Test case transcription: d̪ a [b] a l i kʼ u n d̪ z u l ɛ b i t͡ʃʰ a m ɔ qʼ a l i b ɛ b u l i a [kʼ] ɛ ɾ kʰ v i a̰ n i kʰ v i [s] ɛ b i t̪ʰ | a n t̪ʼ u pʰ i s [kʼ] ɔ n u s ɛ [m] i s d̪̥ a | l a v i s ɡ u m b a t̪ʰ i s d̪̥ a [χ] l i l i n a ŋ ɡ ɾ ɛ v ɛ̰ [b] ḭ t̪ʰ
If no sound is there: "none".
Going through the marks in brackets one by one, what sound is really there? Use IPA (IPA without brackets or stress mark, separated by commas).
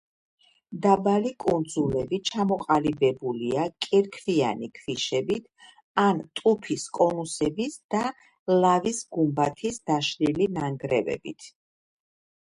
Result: b, kʼ, ʃ, kʼ, b, ʃ, b